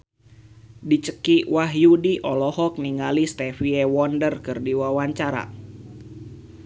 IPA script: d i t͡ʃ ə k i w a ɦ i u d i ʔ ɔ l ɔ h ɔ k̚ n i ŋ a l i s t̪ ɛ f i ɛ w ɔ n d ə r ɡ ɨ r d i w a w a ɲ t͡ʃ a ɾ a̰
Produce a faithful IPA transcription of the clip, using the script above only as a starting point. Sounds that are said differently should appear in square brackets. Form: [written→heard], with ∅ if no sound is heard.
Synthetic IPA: d i t͡ʃ ə k i w a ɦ [i→j] u d i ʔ ɔ l ɔ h ɔ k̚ n i ŋ a l i s t̪ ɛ f i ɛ w ɔ n d ə r [ɡ→k] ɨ r d i w a w a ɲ t͡ʃ a ɾ a̰